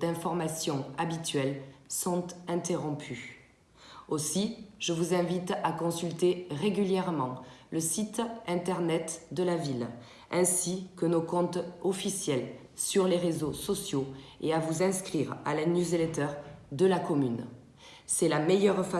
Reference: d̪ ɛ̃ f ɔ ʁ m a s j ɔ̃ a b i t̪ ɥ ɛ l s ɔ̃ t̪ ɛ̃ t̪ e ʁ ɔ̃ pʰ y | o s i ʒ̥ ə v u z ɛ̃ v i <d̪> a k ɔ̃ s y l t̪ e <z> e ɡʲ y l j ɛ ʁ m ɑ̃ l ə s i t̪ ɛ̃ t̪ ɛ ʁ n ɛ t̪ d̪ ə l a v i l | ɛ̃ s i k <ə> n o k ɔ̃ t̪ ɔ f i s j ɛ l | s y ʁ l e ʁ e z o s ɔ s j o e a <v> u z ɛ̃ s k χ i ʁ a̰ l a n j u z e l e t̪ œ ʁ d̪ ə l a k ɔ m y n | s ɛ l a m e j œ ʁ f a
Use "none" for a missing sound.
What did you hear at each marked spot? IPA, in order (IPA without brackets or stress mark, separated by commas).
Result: t̪, ʁ, ə, v